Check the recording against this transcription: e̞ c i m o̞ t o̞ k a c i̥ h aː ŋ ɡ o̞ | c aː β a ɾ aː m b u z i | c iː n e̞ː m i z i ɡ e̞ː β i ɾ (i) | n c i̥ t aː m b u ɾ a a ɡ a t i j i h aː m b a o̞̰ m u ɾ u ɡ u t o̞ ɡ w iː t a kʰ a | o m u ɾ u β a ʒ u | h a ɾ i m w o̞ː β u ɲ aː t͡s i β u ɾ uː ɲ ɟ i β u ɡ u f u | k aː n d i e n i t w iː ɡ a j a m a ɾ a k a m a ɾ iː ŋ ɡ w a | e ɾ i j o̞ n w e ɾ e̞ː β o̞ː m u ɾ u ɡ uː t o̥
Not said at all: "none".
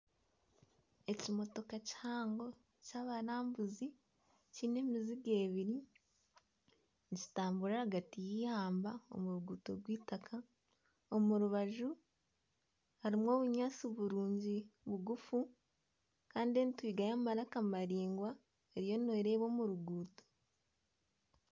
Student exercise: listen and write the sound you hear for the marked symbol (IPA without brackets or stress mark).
i